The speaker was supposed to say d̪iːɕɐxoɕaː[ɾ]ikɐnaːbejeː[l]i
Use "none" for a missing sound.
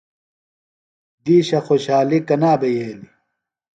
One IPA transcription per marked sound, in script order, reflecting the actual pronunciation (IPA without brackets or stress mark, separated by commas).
l, l